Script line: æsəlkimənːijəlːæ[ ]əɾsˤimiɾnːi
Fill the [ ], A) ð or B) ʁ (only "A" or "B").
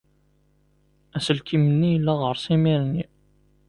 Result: B